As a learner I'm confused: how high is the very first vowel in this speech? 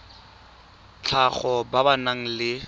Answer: low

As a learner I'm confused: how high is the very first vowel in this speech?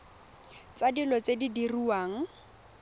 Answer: low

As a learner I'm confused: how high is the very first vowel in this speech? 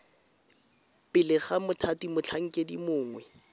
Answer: high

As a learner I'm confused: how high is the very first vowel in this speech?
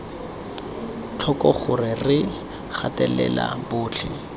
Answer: mid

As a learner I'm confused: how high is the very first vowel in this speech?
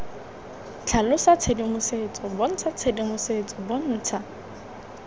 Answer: low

